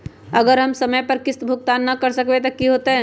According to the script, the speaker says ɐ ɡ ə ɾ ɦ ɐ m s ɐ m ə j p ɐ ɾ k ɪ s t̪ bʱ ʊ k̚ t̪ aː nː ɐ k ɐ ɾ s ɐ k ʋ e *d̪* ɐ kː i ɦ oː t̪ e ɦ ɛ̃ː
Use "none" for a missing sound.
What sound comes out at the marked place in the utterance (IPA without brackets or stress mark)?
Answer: t̪